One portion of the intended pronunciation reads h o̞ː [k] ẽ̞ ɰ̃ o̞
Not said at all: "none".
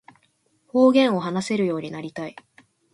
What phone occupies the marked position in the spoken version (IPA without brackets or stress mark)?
ɡ